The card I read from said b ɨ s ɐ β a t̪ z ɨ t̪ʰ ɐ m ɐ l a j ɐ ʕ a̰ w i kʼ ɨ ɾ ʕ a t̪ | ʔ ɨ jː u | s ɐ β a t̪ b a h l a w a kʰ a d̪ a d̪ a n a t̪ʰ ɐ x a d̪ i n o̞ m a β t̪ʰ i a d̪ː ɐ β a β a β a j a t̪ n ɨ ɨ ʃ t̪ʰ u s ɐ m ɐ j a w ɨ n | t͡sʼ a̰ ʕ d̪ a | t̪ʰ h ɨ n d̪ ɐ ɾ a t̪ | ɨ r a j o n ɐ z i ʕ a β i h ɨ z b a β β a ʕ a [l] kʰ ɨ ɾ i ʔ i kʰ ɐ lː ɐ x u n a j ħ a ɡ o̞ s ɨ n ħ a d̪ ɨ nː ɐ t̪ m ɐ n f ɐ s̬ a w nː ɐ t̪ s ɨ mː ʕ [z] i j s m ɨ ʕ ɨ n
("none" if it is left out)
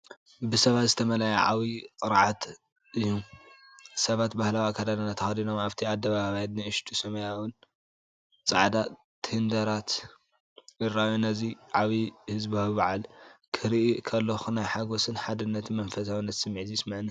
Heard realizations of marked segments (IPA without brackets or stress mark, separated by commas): l, z